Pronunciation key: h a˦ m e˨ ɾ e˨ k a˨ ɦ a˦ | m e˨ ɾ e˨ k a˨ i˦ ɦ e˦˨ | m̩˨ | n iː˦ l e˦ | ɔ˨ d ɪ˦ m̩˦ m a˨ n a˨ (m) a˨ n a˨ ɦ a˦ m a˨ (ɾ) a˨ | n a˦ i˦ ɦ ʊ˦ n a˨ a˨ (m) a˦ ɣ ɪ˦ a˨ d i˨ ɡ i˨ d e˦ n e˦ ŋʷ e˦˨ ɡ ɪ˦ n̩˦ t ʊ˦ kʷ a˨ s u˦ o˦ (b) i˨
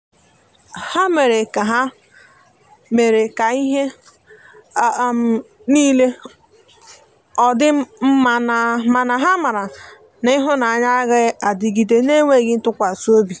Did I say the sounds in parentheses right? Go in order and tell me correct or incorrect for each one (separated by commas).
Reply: correct, correct, incorrect, correct